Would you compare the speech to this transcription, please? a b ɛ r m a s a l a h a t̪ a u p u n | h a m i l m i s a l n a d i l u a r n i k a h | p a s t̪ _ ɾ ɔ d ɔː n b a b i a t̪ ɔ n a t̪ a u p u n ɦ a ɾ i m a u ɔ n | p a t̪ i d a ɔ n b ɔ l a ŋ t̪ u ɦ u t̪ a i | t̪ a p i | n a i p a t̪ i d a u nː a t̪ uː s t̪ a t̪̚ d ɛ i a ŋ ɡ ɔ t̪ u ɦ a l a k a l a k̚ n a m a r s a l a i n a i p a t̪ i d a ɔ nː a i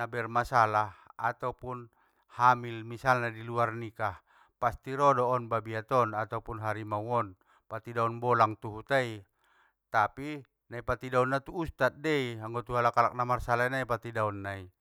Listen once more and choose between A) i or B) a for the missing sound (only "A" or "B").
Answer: A